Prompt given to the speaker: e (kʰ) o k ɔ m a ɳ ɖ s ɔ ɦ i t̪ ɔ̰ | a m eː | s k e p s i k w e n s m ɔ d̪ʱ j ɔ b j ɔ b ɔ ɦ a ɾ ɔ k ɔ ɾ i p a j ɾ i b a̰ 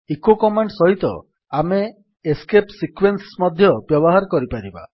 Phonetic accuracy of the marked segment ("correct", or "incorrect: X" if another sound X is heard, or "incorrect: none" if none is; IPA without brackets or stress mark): incorrect: k